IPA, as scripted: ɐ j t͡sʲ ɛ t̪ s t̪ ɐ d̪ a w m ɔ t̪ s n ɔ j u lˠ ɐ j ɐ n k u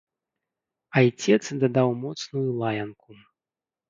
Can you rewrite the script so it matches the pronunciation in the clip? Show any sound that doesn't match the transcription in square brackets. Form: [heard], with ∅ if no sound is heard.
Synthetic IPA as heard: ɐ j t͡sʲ ɛ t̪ s [d̪] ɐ d̪ a w m ɔ t̪ s n [u] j u lˠ [a] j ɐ n k u